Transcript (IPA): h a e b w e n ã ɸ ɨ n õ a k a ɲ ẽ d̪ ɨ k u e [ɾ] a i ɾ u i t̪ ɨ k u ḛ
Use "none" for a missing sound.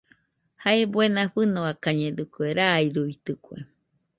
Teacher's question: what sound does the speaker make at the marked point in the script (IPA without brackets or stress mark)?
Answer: ɾ